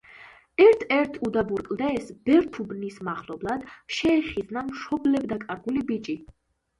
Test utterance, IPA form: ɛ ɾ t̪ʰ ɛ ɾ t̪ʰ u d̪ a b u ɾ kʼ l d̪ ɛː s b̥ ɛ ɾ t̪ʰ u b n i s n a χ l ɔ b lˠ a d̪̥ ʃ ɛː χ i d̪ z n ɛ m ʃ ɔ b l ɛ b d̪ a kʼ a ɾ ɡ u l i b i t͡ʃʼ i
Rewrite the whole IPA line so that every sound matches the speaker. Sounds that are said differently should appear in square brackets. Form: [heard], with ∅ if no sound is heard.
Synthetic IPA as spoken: ɛ ɾ t̪ʰ ɛ ɾ t̪ʰ u d̪ a b u ɾ kʼ l d̪ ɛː s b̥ ɛ ɾ t̪ʰ u b n i s [m] a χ l ɔ b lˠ a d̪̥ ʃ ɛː χ i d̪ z n [a] m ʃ ɔ b l ɛ b d̪ a kʼ a ɾ ɡ u l i b i t͡ʃʼ i